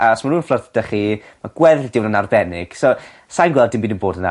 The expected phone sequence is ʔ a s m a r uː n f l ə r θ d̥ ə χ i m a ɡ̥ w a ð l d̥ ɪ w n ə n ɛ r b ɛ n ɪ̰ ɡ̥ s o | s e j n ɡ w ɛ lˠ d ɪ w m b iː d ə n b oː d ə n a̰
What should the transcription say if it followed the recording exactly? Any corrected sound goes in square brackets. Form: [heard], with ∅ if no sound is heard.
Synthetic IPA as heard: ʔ a s m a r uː n f l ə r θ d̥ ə χ i m a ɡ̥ w [ɛ] ð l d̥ ɪ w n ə n [a] r b ɛ n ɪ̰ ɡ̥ s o | s [a] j n ɡ w ɛ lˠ d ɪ [∅] m b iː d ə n b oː d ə n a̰